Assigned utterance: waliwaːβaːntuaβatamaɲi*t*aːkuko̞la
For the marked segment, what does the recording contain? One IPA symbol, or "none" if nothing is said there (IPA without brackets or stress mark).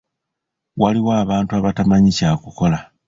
c